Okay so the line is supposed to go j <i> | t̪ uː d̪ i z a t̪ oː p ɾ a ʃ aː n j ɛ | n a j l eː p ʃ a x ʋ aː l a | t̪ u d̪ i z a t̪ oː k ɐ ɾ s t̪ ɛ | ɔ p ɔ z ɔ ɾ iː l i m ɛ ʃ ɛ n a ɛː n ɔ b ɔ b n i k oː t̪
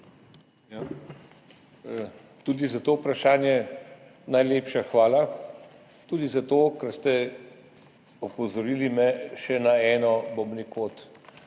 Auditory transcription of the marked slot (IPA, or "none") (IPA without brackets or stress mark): a